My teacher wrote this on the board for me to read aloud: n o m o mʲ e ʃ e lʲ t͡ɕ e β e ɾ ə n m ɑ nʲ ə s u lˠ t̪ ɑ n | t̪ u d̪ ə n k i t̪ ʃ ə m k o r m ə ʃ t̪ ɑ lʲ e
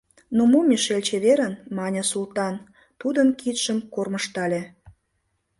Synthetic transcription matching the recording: n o m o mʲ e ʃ e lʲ t͡ɕ e β e ɾ ə n m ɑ nʲ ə s u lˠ t̪ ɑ n | t̪ u d̪ ə n k i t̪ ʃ ə m k o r m ə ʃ t̪ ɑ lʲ e